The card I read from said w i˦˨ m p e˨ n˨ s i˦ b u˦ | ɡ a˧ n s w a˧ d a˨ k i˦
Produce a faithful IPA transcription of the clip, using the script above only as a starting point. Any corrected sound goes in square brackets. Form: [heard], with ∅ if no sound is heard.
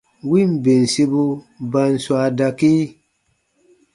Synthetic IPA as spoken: w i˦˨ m [b] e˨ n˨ s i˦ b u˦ | [b] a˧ n s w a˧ d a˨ k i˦